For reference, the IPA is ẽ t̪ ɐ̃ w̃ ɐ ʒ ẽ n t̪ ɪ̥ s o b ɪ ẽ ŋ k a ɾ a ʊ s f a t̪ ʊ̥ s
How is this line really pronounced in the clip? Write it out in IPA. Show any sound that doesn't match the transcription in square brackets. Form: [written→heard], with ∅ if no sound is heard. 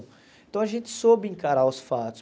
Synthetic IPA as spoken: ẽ t̪ ɐ̃ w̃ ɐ ʒ ẽ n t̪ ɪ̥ s o b ɪ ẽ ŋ k a ɾ a ʊ s f a t̪ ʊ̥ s

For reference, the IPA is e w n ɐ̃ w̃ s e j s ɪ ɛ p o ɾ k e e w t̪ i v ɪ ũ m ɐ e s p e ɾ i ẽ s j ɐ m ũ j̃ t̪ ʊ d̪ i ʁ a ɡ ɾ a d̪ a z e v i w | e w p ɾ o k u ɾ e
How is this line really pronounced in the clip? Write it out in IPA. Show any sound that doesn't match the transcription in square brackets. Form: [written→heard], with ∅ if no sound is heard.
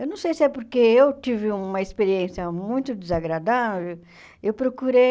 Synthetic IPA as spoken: e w n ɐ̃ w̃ s e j s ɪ ɛ p o ɾ k e e w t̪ i v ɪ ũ m ɐ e s p e ɾ i ẽ s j ɐ m ũ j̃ t̪ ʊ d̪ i [ʁ→z] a ɡ ɾ a d̪ a [z→v] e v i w | e w p ɾ o k u ɾ e

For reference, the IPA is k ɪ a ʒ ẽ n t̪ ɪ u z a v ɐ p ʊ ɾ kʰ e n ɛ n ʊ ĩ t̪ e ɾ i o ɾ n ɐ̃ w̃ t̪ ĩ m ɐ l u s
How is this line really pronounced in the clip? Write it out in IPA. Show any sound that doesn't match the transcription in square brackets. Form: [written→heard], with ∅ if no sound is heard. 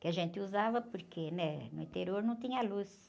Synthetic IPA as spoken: k ɪ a ʒ ẽ n t̪ ɪ u z a v ɐ p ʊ ɾ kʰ e n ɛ n ʊ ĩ t̪ e ɾ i o ɾ n ɐ̃ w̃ t̪ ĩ [m→ɲ] ɐ l u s

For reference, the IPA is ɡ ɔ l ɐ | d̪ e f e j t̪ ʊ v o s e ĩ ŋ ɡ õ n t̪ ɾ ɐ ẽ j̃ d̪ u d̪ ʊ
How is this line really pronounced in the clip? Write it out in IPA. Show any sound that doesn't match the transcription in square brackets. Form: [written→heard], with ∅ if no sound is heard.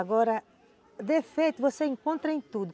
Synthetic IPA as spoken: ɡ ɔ [l→ɾ] ɐ | d̪ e f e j t̪ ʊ v o s e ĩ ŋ [ɡ→k] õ n t̪ ɾ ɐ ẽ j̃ [d̪→t̪] u d̪ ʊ

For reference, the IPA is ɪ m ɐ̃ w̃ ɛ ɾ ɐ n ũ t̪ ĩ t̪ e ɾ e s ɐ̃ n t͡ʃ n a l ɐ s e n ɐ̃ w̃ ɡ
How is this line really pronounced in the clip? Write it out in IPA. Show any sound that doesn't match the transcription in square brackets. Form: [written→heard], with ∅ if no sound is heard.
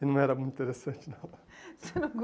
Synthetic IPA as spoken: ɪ [m→n] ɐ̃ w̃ ɛ ɾ ɐ [n→m] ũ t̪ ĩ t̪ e ɾ e s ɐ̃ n t͡ʃ n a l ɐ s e n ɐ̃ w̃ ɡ

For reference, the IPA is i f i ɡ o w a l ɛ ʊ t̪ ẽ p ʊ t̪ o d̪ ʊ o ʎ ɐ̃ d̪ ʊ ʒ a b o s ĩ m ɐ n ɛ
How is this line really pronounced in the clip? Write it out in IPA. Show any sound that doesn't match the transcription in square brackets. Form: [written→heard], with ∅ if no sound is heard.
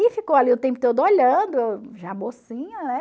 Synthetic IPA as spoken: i f i [ɡ→k] o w a l [ɛ→i] ʊ t̪ ẽ p ʊ t̪ o d̪ ʊ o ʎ ɐ̃ d̪ ʊ ʒ a b o s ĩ [m→ɲ] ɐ n ɛ

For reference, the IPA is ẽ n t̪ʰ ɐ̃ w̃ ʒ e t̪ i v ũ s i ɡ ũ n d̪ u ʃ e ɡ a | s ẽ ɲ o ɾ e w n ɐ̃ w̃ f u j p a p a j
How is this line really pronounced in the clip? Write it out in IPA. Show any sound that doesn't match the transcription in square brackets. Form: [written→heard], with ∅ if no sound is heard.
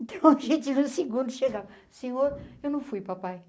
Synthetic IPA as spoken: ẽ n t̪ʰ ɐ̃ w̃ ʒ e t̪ i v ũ s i ɡ ũ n d̪ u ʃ e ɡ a | s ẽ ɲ o ɾ e w n ɐ̃ w̃ f u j p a p a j

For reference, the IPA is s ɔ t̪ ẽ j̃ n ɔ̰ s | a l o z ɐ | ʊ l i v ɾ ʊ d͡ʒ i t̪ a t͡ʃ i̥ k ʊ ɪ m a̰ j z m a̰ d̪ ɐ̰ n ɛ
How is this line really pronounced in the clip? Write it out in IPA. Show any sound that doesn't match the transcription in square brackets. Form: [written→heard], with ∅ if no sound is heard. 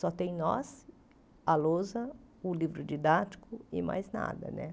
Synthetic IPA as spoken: s ɔ t̪ ẽ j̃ n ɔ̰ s | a l o z ɐ | ʊ l i v ɾ ʊ d͡ʒ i [t̪→d̪] a t͡ʃ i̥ k ʊ ɪ m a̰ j z [m→n] a̰ d̪ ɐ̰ n ɛ

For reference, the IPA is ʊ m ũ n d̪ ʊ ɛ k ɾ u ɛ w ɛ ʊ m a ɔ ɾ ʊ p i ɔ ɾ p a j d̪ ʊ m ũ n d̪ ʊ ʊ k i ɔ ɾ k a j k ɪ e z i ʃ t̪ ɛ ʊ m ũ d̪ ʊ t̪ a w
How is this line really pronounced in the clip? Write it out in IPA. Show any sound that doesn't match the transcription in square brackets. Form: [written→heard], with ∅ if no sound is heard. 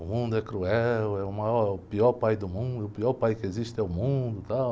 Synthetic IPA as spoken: ʊ m ũ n d̪ ʊ ɛ k ɾ u ɛ w ɛ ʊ m a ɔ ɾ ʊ p i ɔ ɾ p a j d̪ ʊ m ũ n d̪ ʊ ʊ [k→p] i ɔ ɾ [k→p] a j k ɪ e z i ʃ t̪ ɛ ʊ m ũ d̪ ʊ t̪ a w

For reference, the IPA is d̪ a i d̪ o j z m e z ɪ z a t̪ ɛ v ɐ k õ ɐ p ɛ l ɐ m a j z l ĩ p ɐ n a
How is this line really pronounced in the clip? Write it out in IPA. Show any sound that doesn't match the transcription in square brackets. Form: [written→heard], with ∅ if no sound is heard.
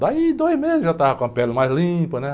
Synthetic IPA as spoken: d̪ a i d̪ o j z m e z ɪ [z→ʒ] a t̪ [ɛ→a] v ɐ k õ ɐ p ɛ l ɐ m a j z l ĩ p ɐ n [a→ɛ]

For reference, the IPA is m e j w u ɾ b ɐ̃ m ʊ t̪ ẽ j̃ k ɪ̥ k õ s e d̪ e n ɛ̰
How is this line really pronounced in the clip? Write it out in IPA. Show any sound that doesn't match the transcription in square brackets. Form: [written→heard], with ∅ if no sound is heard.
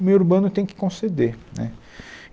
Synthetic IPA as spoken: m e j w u ɾ b ɐ̃ [m→n] ʊ t̪ ẽ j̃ k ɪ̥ k õ s e d̪ e n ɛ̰

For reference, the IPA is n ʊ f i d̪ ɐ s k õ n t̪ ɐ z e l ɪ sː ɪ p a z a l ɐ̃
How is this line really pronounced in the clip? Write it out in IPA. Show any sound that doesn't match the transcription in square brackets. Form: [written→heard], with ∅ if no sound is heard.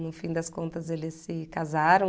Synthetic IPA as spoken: n ʊ f [i→ĩ] d̪ ɐ s k õ n t̪ ɐ z e l ɪ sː ɪ [p→k] a z a [l→ɾ] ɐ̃

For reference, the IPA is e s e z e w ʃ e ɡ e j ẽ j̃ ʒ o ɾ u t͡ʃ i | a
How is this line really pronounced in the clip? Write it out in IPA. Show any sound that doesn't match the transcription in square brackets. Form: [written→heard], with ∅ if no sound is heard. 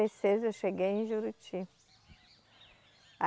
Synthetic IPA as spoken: e s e z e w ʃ e ɡ e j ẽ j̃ ʒ [o→u] ɾ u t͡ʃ i | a

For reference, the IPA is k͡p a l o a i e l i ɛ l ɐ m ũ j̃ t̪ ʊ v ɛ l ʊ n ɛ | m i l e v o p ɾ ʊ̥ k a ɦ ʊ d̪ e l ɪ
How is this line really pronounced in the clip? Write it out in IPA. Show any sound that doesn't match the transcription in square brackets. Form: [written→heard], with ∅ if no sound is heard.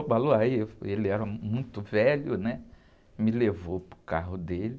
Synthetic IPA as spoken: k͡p a l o a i e l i ɛ [l→ɾ] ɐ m ũ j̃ t̪ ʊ v ɛ l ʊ n ɛ | m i l e v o p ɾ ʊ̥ k a ɦ ʊ d̪ e l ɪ

